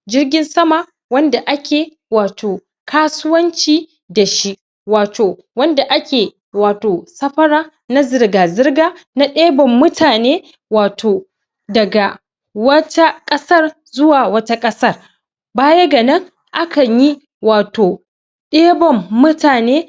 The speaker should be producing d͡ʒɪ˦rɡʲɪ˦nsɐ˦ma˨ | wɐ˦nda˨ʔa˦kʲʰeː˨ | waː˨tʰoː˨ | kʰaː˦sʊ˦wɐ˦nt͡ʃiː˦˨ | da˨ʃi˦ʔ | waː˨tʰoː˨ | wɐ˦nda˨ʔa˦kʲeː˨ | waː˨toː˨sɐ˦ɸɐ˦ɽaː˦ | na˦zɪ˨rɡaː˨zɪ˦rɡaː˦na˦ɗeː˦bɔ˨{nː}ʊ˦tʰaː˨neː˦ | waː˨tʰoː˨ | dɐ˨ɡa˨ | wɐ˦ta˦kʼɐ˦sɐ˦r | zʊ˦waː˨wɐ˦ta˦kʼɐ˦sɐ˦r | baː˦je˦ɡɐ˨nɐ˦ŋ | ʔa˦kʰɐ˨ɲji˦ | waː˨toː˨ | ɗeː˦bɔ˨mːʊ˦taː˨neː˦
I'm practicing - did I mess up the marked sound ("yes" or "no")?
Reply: yes